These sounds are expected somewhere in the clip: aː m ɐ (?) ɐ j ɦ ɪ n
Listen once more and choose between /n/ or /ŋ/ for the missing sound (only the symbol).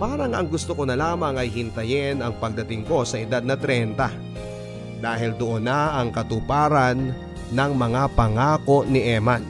ŋ